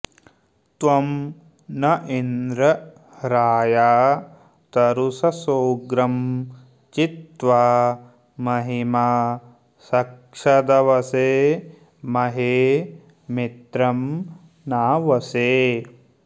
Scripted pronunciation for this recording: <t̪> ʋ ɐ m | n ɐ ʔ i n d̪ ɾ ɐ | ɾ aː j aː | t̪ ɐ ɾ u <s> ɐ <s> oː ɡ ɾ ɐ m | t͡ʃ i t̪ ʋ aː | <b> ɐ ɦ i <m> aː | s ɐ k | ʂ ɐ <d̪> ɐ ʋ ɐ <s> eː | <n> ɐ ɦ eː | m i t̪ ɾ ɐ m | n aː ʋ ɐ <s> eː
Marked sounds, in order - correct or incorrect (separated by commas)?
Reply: correct, correct, correct, incorrect, correct, correct, correct, incorrect, correct